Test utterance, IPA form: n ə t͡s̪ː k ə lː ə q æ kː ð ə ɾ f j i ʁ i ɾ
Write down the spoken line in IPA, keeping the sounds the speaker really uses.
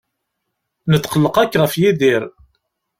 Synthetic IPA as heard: n ə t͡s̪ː q ə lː ə q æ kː ʁ ə f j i ð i ɾ